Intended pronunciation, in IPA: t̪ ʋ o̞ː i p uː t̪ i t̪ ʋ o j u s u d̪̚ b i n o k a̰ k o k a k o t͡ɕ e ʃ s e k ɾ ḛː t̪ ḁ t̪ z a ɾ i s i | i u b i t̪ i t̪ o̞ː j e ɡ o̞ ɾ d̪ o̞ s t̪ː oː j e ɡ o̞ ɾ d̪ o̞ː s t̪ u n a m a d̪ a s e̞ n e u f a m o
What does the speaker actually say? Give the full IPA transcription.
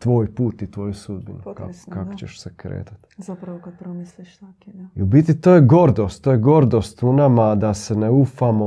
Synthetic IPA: t̪ ʋ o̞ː j p uː t̪ i t̪ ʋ o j u s u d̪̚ b i n u k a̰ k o k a k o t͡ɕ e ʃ s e k ɾ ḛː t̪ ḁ t̪ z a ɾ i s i | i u b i t̪ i t̪ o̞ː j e ɡ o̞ ɾ d̪ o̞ s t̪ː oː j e ɡ o̞ ɾ d̪ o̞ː s t̪ u n a m a d̪ a s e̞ n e u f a m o